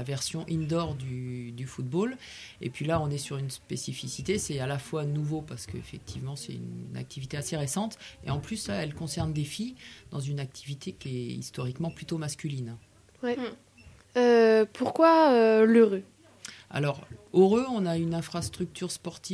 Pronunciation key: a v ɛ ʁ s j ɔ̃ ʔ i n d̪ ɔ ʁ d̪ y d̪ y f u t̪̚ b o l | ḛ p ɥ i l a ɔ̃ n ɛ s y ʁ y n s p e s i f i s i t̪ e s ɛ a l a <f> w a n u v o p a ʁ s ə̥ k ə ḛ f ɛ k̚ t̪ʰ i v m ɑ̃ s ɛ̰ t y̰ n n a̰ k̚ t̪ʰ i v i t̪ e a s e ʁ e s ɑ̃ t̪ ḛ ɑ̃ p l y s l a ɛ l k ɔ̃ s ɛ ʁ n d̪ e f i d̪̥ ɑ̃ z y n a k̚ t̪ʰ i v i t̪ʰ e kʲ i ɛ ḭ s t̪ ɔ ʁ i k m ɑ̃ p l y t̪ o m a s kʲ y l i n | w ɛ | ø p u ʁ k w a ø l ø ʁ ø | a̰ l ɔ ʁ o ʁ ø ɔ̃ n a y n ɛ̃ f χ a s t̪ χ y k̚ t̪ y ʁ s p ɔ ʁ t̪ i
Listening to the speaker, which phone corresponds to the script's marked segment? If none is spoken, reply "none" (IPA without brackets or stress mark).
f